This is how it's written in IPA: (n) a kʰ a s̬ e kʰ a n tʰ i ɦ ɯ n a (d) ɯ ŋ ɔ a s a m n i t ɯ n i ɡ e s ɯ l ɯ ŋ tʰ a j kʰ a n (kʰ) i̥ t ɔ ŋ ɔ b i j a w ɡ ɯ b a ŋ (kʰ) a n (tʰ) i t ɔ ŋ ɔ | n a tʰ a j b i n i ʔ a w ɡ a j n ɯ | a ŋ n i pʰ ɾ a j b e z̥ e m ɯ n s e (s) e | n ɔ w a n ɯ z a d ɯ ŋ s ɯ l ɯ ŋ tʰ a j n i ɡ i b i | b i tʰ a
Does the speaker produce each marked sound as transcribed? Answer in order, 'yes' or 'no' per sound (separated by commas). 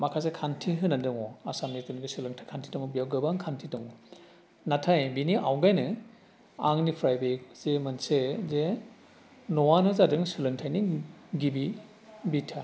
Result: no, yes, no, yes, yes, no